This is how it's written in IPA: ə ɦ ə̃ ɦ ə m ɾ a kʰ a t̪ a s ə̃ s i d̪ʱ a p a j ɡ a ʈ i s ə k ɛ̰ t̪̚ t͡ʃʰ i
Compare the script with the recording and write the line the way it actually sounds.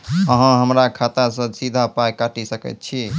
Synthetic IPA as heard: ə ɦ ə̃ ɦ ə m ɾ a kʰ a t̪ a s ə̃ s i d̪ʱ a p a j k a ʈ i s ə k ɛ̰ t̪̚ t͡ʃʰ i